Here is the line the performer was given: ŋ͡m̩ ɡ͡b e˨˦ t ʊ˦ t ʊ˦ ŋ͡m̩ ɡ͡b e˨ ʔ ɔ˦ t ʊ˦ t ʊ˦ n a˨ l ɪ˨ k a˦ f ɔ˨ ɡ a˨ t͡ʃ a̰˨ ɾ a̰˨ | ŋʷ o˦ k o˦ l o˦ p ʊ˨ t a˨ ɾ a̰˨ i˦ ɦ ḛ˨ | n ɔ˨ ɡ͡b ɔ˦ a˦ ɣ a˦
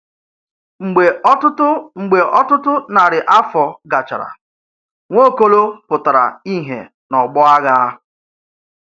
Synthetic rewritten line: ŋ͡m̩ ɡ͡b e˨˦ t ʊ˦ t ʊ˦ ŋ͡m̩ ɡ͡b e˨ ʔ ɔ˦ t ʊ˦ t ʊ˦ n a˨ ɾ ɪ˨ ʔ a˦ f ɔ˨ ɡ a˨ t͡ʃ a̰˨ ɾ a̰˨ | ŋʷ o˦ k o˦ l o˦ p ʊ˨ t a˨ ɾ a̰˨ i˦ ɦ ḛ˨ | n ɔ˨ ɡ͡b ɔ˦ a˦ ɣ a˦